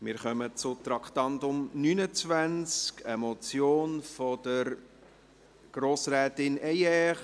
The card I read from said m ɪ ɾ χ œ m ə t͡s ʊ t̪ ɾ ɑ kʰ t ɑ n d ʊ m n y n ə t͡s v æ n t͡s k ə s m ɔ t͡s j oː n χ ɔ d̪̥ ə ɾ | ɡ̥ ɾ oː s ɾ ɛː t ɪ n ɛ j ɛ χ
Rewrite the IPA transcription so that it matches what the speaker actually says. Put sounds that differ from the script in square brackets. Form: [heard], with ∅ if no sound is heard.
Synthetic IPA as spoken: m ɪ ɾ χ œ m ə t͡s ʊ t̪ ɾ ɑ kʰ t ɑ n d ʊ m n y n ə t͡s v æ n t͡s k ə [∅] m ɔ t͡s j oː n [f] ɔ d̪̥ ə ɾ | ɡ̥ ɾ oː s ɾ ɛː t ɪ n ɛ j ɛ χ